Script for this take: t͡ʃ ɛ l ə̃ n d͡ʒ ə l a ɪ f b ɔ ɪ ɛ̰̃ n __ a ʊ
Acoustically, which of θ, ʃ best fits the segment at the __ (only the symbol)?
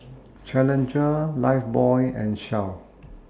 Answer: ʃ